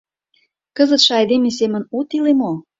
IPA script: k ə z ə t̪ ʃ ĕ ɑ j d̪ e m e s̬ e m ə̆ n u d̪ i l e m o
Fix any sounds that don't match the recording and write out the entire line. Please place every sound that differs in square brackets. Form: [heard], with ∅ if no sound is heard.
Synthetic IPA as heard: k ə z ə t̪ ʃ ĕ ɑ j d̪ e m e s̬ e m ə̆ n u [t̪] i l e m o